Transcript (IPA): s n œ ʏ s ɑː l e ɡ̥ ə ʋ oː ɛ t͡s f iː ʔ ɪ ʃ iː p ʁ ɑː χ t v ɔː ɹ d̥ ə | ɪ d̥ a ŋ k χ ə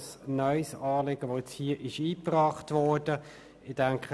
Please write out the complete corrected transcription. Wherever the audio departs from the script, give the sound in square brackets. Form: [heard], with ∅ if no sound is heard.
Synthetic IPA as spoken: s n œ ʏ s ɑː l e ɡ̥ ə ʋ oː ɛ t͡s [h] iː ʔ ɪ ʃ iː p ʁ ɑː χ t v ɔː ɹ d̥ ə | ɪ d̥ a ŋ k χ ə